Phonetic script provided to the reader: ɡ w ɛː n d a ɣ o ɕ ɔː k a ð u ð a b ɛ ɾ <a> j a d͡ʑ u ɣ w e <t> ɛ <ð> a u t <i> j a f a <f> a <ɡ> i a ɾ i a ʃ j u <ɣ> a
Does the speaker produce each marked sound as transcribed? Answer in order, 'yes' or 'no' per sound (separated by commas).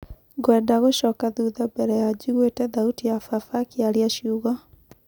no, yes, yes, yes, yes, no, yes